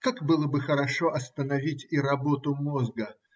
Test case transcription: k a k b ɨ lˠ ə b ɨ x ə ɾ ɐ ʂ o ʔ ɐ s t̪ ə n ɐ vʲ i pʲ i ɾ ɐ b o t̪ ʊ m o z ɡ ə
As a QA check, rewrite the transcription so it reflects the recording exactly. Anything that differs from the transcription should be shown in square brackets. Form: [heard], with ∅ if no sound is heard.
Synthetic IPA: k a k b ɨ lˠ ə b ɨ x ə ɾ ɐ ʂ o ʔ ɐ s t̪ ə n ɐ vʲ i [tʲ] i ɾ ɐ b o t̪ ʊ m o z ɡ ə